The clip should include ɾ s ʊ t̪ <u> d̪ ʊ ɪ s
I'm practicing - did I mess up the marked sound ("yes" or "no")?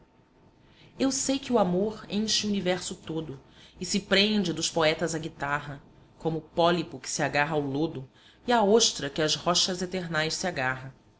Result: yes